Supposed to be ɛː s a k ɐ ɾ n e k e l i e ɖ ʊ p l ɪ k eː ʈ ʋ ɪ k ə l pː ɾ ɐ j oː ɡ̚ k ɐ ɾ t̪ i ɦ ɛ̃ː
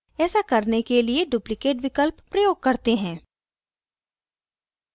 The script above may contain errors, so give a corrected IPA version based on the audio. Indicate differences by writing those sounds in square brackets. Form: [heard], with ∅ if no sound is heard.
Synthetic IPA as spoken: ɛː s a k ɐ ɾ n e k e l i e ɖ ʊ p l ɪ k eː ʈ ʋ ɪ k ə l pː ɾ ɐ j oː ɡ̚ k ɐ ɾ t̪ [e] ɦ ɛ̃ː